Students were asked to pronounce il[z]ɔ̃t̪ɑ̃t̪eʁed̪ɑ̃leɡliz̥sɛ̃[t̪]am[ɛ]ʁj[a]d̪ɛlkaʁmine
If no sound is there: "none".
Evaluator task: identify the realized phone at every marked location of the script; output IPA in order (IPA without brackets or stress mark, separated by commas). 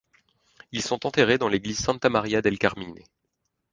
s, t̪, a, a